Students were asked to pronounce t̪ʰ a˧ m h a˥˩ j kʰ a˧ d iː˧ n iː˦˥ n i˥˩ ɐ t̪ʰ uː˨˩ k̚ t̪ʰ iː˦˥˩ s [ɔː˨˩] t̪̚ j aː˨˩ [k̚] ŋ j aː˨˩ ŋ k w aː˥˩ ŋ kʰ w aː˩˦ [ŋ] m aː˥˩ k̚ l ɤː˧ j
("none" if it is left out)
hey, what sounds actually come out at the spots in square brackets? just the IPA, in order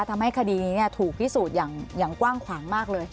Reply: uː˨˩, none, ŋ

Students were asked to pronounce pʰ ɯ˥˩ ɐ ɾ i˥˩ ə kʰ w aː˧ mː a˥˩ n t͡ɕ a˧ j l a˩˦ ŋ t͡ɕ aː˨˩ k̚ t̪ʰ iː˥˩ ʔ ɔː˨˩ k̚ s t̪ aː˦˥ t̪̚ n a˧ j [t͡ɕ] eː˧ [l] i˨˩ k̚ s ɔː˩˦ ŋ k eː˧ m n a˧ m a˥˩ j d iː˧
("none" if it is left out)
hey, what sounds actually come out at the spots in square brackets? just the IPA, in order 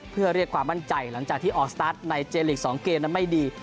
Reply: t͡ɕ, l

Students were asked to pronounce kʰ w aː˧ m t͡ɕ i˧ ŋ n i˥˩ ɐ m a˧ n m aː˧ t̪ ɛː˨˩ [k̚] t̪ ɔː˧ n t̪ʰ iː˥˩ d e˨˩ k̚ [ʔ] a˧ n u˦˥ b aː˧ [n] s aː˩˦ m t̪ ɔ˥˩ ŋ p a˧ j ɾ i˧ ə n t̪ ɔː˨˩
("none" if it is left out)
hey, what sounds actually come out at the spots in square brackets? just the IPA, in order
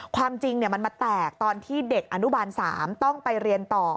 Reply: k̚, ʔ, n

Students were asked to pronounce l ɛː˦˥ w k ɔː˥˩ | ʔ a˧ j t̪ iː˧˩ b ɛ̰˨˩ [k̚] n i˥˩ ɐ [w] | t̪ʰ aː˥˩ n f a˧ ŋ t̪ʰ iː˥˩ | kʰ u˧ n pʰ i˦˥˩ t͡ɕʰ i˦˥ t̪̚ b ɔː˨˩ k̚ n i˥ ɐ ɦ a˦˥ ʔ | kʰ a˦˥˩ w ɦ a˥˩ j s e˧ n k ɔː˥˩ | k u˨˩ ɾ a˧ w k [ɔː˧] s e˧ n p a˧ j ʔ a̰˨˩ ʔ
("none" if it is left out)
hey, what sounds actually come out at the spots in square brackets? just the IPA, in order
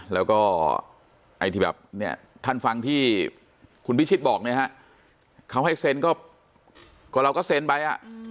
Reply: p̚, none, ɔː˥˩

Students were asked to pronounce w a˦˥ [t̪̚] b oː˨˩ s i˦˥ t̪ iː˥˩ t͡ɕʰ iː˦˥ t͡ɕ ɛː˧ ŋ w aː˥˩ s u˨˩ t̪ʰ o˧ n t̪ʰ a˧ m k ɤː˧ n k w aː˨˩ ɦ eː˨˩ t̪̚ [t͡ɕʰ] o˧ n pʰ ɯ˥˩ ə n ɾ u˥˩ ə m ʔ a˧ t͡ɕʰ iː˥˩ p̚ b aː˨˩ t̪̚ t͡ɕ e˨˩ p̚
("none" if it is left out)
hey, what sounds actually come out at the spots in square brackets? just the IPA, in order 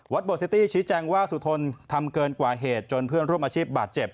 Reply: t̪̚, t͡ɕ

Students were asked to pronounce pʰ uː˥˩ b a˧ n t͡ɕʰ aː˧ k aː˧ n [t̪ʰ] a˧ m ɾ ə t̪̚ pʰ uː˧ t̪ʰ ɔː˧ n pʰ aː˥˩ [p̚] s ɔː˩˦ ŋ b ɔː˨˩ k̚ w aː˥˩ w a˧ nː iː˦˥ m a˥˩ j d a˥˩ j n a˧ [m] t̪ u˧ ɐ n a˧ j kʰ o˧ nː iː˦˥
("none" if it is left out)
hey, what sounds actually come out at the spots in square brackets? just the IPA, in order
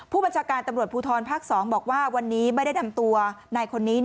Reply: t̪, k̚, m

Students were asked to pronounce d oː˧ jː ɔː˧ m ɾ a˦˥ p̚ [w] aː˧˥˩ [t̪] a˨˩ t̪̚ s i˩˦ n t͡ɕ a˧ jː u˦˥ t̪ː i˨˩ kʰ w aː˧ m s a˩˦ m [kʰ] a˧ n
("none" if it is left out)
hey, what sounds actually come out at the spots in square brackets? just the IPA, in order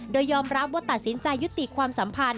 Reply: w, t̪, pʰ

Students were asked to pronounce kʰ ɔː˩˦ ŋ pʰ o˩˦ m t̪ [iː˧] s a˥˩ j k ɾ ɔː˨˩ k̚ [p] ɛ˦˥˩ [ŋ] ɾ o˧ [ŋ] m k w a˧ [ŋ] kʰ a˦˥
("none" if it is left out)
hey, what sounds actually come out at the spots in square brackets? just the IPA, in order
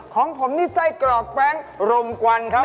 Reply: iː˥˩, p, ŋ, none, n

